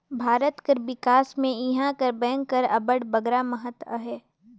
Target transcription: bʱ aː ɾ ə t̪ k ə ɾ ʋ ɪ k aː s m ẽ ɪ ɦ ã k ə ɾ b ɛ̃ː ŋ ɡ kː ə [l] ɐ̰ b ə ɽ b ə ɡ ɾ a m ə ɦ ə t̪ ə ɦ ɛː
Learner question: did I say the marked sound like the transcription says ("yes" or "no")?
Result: no